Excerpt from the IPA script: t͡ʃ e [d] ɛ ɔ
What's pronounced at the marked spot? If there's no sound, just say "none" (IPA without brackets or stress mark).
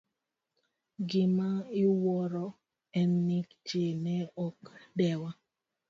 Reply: n